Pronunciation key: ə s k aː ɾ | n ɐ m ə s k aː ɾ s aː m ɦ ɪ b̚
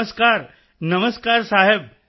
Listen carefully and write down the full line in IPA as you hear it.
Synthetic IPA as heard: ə s k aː ɾ | n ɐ m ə s k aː ɾ s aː ɦ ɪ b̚